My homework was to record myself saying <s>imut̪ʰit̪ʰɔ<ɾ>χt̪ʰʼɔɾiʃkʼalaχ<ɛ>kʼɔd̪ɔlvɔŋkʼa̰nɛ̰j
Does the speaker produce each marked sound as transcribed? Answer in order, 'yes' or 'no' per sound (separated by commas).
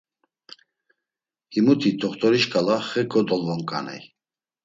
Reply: no, no, yes